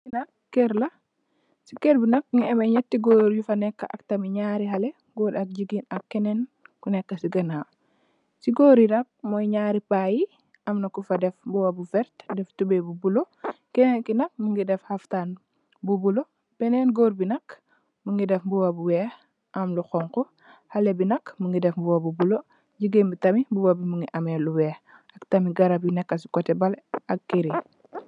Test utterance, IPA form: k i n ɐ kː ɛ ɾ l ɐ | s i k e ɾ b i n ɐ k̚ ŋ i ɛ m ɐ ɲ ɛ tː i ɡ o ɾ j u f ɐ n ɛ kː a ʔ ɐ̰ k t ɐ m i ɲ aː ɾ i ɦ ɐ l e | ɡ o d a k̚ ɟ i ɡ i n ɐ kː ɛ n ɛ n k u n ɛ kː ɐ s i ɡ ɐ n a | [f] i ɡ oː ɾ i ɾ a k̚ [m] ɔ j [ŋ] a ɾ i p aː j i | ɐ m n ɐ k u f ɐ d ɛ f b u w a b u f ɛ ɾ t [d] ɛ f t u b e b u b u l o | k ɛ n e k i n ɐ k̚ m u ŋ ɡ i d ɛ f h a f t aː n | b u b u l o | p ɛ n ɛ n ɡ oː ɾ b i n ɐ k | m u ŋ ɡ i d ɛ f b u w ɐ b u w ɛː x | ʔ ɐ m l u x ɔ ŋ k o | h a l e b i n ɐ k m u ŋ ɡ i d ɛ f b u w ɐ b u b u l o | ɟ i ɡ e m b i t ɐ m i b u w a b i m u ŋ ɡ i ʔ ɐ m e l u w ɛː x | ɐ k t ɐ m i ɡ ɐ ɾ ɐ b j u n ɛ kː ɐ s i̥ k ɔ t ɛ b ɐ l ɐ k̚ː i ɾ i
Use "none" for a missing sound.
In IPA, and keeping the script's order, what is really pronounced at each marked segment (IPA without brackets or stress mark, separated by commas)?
s, m, ɲ, d